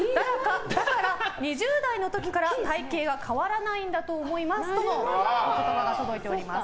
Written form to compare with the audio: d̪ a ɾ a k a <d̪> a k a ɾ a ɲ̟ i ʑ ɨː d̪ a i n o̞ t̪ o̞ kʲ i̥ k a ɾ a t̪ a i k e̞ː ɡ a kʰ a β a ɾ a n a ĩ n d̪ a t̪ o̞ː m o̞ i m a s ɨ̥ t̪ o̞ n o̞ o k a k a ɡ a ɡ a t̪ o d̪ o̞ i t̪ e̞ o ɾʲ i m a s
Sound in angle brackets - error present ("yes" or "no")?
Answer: no